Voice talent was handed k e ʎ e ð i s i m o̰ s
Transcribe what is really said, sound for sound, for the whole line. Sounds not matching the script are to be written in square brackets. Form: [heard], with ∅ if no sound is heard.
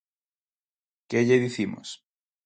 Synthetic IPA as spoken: k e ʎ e ð i [θ] i m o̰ s